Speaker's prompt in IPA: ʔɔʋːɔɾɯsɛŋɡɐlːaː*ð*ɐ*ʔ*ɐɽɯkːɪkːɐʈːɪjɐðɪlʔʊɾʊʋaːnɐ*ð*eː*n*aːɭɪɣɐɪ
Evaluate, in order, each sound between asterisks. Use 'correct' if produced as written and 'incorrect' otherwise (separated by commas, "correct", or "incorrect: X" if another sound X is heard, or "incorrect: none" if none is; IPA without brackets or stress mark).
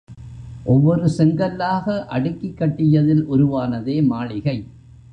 incorrect: ɣ, correct, correct, incorrect: m